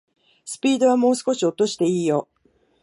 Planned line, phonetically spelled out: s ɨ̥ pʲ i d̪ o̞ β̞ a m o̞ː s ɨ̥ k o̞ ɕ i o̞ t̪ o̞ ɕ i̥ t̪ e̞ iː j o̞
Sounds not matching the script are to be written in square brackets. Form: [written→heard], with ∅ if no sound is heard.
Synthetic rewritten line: s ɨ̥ pʲ [i→iː] d̪ o̞ β̞ a m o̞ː s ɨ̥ k o̞ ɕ i o̞ t̪ o̞ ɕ i̥ t̪ e̞ iː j o̞